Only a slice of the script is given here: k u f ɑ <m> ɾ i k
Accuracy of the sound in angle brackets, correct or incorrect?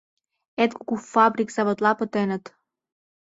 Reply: incorrect